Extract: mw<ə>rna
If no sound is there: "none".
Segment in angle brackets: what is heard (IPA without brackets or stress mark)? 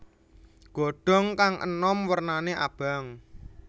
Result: ə